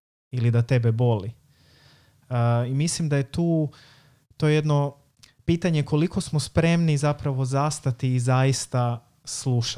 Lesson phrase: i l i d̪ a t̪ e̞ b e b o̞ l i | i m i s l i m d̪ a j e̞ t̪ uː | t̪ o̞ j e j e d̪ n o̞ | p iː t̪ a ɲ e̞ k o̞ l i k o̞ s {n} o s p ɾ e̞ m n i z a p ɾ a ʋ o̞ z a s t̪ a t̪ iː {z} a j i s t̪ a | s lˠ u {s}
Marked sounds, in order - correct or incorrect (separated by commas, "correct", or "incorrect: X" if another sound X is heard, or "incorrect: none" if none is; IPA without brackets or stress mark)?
incorrect: m, correct, incorrect: ʃ